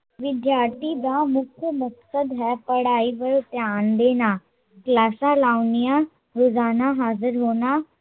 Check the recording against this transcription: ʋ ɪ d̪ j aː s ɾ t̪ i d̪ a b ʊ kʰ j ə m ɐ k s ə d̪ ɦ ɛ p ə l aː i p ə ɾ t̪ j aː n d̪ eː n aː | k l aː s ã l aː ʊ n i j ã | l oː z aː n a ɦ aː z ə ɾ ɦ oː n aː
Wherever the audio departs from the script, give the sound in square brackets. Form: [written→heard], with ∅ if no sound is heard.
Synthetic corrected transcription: ʋ ɪ d̪ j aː [s→∅] ɾ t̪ i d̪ a [b→m] ʊ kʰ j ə m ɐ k s ə d̪ ɦ ɛ p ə [l→ɽ] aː i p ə ɾ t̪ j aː n d̪ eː n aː | k l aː s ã l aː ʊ n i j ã | [l→ɾ] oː z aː n a ɦ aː z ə ɾ ɦ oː n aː